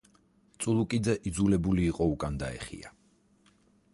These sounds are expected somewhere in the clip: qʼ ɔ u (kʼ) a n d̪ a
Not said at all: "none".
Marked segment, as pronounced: kʼ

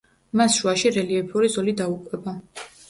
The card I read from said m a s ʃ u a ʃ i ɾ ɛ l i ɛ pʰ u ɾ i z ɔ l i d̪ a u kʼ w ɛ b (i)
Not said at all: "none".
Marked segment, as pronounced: a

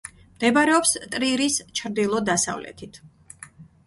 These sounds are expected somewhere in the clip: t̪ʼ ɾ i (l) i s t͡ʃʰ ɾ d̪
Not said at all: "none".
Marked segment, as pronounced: ɾ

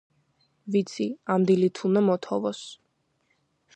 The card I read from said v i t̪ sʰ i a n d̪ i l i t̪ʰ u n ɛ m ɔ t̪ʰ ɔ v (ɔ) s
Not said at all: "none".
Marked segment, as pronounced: ɔ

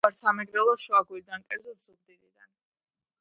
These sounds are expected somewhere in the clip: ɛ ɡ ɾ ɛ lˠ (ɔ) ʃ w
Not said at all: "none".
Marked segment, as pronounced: ɔ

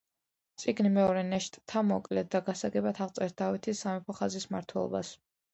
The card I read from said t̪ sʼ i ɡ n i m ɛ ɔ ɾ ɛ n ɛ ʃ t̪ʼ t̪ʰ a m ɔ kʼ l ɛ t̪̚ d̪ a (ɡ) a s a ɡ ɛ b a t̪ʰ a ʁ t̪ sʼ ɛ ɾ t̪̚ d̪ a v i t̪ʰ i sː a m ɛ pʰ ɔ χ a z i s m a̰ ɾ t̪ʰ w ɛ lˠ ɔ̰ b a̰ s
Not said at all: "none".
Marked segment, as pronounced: ɡ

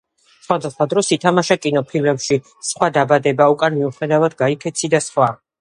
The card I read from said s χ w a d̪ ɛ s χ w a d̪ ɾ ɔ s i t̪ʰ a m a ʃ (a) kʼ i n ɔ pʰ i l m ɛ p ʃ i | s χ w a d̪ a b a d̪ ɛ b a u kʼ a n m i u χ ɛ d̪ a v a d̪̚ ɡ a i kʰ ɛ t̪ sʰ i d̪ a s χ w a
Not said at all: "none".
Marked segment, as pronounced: a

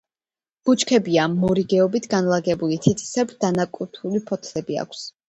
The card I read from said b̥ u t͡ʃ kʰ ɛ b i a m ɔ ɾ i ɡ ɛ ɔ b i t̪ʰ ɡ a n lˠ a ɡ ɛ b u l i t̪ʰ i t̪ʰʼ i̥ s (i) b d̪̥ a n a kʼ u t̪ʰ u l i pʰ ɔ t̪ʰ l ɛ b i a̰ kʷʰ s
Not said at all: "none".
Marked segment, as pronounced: ɛ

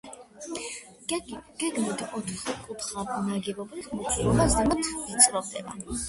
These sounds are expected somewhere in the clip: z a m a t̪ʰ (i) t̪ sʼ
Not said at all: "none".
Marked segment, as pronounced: i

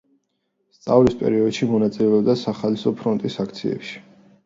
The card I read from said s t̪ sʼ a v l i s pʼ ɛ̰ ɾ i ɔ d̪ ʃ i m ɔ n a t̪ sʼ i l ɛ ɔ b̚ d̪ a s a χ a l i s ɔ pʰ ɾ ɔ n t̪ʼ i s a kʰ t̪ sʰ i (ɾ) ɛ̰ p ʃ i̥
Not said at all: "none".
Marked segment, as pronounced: none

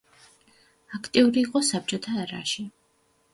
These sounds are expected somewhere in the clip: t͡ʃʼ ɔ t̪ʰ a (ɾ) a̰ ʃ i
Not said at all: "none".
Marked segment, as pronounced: ɾ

